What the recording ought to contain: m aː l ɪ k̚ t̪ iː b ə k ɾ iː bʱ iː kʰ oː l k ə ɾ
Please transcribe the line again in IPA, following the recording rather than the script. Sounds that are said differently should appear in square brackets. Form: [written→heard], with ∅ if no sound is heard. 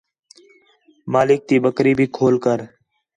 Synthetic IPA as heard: m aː l ɪ k̚ t̪ iː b ə k ɾ iː bʱ iː kʰ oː l k ə ɾ

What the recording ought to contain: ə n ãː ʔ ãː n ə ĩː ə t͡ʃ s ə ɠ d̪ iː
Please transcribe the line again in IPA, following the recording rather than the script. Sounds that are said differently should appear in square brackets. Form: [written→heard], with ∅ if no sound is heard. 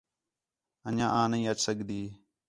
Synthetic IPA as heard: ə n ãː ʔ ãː n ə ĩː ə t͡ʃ s ə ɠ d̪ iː

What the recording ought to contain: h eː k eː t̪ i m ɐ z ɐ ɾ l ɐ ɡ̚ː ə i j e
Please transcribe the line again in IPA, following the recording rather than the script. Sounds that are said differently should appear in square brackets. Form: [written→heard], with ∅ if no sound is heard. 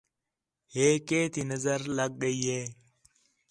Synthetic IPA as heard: h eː k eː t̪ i [m→n] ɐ z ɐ ɾ l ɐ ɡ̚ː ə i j e

